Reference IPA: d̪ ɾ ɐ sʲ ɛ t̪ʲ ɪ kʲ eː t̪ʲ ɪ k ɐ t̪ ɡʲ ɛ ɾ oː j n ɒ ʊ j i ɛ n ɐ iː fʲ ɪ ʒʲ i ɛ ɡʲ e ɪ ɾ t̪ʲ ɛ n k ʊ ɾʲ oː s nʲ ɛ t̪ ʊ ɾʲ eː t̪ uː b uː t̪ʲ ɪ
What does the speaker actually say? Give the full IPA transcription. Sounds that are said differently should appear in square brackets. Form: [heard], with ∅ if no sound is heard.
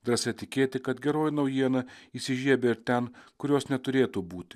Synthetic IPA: d̪ ɾ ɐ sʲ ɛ t̪ʲ ɪ kʲ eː t̪ʲ ɪ k ɐ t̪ ɡʲ ɛ ɾ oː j n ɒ ʊ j i ɛ n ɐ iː [sʲ] ɪ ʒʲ i ɛ [bʲ] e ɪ ɾ t̪ʲ ɛ n k ʊ ɾʲ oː s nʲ ɛ t̪ ʊ ɾʲ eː t̪ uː b uː t̪ʲ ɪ

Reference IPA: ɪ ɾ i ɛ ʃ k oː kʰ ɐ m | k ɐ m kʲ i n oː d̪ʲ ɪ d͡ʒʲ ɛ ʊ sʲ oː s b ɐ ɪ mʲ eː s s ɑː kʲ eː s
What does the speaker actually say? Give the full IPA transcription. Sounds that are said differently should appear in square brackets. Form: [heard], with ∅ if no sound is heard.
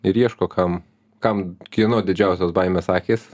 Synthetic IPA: ɪ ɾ i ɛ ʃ k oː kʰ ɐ m | k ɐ m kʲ i n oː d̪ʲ ɪ d͡ʒʲ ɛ ʊ sʲ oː s b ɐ ɪ mʲ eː s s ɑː kʲ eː s

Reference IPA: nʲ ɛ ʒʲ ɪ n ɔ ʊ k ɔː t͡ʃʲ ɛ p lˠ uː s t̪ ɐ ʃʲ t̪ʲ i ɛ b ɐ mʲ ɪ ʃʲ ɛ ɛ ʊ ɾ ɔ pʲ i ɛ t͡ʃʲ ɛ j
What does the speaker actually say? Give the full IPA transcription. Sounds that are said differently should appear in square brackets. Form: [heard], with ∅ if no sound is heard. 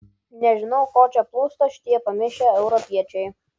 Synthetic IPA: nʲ ɛ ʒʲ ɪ n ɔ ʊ k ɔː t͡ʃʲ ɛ p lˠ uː s t̪ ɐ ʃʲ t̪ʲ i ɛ [p] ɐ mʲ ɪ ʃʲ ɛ ɛ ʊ ɾ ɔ pʲ i ɛ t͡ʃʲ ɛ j

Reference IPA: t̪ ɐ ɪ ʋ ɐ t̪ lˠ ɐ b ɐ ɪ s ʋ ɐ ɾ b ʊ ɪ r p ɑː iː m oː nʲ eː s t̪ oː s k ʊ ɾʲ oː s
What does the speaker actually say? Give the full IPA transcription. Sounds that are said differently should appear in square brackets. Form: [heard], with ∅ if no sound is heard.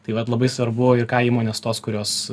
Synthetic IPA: t̪ ɐ ɪ ʋ ɐ t̪ lˠ ɐ b ɐ ɪ s ʋ ɐ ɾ b ʊ ɪ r [k] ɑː iː m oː nʲ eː s t̪ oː s k ʊ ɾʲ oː s

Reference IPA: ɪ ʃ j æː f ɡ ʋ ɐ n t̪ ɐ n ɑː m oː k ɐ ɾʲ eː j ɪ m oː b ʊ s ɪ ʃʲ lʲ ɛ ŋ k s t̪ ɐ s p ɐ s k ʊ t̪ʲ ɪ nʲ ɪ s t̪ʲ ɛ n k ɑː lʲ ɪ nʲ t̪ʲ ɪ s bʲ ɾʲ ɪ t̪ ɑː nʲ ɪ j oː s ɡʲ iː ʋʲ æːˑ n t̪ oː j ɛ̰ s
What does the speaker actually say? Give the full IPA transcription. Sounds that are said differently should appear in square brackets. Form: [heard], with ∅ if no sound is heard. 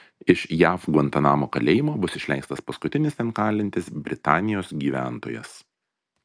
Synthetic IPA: ɪ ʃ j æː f ɡ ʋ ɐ n t̪ ɐ n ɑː m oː k ɐ [lʲ] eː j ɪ m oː b ʊ s ɪ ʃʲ lʲ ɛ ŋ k s t̪ ɐ s p ɐ s k ʊ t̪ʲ ɪ nʲ ɪ s t̪ʲ ɛ n k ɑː lʲ ɪ nʲ t̪ʲ ɪ s bʲ ɾʲ ɪ t̪ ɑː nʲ ɪ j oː s ɡʲ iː ʋʲ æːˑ n t̪ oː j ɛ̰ s

